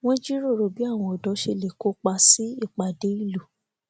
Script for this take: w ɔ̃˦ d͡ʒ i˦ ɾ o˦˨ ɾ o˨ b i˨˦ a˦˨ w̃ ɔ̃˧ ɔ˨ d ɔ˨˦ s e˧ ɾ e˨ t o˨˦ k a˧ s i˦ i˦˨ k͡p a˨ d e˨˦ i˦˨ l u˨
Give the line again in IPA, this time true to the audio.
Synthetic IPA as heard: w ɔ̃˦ d͡ʒ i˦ ɾ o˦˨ ɾ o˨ b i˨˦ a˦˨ w̃ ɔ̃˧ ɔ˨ d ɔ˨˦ ʃ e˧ l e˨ k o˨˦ k͡p a˧ s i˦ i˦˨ k͡p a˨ d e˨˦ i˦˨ l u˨